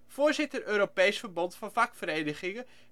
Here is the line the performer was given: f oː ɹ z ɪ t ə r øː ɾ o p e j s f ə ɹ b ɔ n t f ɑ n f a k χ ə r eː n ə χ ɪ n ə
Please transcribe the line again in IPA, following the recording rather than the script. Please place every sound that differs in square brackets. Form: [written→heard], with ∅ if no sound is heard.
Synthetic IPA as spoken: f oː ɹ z ɪ t ə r øː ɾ o p e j s f ə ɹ b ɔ n t f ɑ n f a k [χ→f] ə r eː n ə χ ɪ [n→ŋ] ə